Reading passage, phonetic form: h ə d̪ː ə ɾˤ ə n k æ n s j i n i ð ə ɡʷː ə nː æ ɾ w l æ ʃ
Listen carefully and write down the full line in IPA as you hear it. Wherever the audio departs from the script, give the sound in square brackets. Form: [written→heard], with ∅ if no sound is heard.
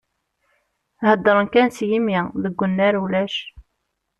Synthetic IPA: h ə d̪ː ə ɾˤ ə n k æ n s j i [n→m] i ð ə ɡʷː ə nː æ ɾ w l æ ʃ

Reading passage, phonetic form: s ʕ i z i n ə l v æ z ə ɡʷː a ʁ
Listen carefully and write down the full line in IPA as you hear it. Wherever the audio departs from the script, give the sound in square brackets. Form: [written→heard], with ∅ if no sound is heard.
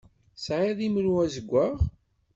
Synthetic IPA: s ʕ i [z→ð] i [n→m] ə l [v→w] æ z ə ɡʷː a ʁ

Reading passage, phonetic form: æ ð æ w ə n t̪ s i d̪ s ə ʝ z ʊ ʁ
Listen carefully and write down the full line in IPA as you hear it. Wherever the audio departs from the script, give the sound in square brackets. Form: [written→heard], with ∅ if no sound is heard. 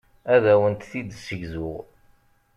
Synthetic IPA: æ ð æ w ə n t̪ [s→θ] i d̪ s ə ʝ z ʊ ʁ

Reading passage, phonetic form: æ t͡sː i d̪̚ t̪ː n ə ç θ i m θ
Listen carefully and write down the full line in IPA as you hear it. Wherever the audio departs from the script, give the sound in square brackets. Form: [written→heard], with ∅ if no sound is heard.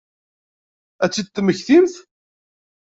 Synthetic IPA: æ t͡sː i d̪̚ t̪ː [n→m] ə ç θ i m θ

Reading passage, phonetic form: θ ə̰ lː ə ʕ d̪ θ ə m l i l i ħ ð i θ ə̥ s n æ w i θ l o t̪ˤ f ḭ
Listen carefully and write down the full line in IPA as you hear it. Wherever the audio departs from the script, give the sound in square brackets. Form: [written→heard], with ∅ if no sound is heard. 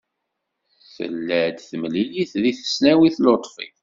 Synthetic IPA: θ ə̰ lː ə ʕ d̪ θ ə m l i l i [ħ→θ] ð i θ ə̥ s n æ w i θ l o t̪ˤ f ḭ

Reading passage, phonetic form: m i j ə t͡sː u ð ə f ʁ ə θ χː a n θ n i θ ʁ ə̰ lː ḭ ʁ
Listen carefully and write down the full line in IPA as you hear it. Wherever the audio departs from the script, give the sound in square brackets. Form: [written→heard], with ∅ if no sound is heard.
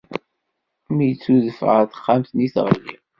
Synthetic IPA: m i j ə t͡sː u ð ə f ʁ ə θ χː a [n→m] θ n i θ ʁ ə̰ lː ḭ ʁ

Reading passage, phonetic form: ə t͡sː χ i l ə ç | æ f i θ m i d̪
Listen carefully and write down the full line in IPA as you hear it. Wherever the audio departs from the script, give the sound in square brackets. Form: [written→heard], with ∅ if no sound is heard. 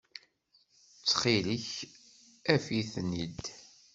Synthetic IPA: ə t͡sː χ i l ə ç | æ f i θ [m→n] i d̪

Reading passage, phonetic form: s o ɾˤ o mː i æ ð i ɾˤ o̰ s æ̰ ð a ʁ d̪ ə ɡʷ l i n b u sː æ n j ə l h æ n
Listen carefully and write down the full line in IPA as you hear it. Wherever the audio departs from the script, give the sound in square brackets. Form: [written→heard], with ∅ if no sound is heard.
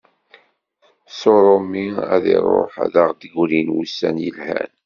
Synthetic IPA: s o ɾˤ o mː i æ ð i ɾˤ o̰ [s→ħ] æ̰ ð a ʁ d̪ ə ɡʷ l i n [b→w] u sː æ n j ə l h æ n

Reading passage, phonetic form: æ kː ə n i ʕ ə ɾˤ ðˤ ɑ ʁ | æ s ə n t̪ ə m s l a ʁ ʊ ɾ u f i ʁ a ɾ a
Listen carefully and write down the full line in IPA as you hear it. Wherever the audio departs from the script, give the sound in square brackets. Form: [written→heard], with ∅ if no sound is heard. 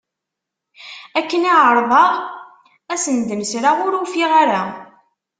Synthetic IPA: æ kː ə n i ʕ ə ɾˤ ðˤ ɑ ʁ | æ s ə n [t̪→d̪] ə m s [l→ɾ] a ʁ ʊ ɾ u f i ʁ a ɾ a

